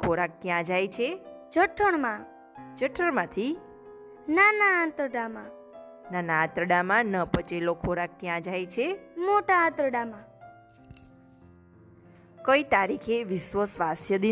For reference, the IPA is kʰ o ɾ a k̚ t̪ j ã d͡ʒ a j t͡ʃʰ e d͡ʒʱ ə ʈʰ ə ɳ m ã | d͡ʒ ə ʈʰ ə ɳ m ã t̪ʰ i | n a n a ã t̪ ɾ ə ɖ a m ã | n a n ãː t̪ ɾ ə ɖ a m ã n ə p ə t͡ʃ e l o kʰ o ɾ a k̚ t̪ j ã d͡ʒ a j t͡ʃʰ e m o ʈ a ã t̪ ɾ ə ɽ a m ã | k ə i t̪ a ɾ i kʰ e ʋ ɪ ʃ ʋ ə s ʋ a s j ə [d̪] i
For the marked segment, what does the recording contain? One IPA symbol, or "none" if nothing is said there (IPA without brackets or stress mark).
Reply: d̪